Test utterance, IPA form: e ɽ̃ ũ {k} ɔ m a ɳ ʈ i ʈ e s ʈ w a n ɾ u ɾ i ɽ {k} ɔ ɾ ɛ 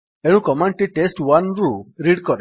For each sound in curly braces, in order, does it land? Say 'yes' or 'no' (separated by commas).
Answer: yes, yes